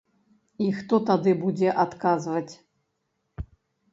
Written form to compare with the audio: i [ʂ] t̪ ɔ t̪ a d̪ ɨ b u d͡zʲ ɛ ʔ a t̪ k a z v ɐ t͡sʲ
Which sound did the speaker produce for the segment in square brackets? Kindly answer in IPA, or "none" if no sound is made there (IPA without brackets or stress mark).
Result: x